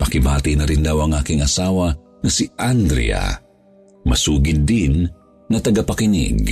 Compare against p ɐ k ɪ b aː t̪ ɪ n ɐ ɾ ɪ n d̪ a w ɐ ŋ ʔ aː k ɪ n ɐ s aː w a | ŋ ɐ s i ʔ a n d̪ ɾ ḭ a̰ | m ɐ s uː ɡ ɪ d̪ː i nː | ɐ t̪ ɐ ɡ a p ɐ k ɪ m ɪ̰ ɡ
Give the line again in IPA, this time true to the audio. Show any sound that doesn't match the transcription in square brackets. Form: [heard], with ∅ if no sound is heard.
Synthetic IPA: p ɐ k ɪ b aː t̪ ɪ n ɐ ɾ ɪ n d̪ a w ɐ ŋ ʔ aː k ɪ [ŋ] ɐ s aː w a | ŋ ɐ s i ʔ a n d̪ ɾ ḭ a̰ | m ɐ s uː ɡ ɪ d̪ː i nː | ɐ t̪ ɐ ɡ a p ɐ k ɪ [n] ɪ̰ ɡ